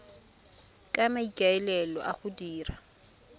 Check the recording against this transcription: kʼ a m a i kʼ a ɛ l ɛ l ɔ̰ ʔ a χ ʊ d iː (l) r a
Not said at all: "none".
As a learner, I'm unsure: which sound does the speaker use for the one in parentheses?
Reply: none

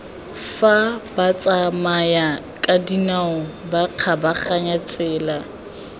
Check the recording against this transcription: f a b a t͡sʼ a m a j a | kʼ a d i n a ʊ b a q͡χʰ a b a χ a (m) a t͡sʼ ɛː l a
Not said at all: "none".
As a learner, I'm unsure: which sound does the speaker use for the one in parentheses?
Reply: ɲ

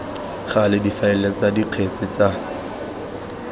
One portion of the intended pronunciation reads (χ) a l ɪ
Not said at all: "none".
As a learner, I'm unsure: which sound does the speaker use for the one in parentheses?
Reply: χ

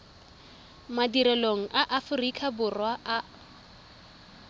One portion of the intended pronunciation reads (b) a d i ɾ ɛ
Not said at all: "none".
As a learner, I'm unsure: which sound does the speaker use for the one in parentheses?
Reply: m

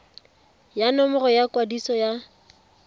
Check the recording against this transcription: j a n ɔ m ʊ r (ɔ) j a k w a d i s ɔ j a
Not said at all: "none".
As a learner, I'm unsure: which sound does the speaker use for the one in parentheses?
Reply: ɔ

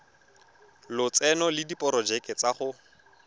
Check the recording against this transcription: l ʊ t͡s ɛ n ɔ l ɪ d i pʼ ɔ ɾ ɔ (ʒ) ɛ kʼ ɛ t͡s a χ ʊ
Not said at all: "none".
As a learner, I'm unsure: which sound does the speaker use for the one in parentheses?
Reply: d͡ʒ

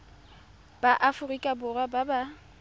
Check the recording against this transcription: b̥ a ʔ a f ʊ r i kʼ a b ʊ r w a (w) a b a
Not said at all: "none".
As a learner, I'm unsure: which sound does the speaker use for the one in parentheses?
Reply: b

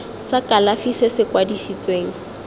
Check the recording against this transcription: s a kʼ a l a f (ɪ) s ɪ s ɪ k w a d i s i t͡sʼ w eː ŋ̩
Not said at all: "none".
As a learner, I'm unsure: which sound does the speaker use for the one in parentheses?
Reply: i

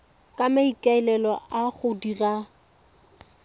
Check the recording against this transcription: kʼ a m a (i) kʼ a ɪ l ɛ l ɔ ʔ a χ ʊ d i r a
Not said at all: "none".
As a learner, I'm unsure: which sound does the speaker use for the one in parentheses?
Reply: i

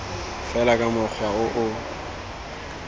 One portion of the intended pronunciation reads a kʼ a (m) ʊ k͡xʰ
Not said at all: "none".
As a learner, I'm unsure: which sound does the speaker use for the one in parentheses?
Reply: m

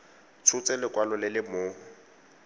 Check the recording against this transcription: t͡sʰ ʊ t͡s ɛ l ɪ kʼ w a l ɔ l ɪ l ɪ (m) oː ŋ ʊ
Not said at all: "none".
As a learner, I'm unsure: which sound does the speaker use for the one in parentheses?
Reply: m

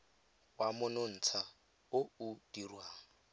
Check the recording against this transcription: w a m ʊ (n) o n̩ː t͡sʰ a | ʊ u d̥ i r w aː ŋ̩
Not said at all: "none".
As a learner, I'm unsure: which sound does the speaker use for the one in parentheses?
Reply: n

